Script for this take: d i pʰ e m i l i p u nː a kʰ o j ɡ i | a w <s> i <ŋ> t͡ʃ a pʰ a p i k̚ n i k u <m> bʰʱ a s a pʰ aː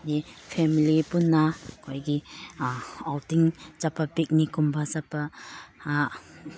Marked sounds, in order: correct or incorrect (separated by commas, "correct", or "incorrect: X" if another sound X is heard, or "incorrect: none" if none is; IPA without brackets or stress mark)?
incorrect: t, correct, correct